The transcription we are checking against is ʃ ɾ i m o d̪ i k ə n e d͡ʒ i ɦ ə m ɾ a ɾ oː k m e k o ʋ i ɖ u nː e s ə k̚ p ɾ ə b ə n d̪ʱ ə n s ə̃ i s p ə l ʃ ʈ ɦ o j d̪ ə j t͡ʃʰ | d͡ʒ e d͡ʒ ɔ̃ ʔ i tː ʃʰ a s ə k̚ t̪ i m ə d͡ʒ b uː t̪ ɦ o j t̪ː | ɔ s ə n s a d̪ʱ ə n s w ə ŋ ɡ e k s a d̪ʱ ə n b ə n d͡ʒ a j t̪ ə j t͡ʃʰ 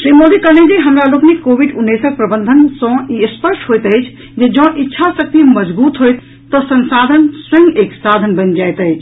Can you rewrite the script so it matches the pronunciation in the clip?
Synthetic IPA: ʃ ɾ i m o d̪ i k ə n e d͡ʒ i ɦ ə m ɾ a l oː k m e k o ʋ i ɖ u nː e s ə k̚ p ɾ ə b ə n d̪ʱ ə n s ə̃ i s p ə ɾ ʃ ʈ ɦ o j t̪ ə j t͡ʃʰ | d͡ʒ e d͡ʒ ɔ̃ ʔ i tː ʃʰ a s ə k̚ t̪ i m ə d͡ʒ b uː t̪ ɦ o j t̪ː | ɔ s ə n s a d̪ʱ ə n s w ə ŋ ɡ e k s a d̪ʱ ə n b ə n d͡ʒ a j t̪ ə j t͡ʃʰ